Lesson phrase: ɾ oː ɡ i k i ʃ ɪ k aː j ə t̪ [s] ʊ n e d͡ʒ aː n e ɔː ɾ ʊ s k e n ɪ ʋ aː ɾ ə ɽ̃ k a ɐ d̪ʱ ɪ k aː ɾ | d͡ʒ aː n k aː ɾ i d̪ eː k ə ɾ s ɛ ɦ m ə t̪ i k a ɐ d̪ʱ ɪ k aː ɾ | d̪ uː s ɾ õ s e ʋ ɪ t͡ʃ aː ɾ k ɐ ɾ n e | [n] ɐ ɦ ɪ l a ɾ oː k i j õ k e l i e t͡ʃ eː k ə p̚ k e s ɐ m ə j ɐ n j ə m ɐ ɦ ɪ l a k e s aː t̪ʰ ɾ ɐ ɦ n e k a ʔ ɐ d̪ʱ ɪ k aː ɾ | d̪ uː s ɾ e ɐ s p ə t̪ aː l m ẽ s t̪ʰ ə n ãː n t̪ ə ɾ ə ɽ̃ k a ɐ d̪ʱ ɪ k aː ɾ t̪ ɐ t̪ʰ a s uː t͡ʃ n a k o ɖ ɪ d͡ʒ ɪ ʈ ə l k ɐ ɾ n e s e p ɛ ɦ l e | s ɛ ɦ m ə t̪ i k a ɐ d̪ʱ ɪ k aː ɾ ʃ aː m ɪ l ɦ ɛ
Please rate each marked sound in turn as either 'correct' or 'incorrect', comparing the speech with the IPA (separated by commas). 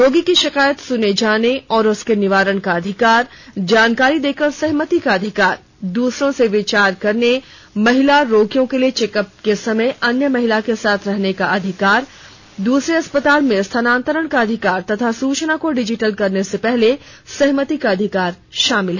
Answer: correct, incorrect